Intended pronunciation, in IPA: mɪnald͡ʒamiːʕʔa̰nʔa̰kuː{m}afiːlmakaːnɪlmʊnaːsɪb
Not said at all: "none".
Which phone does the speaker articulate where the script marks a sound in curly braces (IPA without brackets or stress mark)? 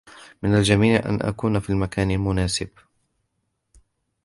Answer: n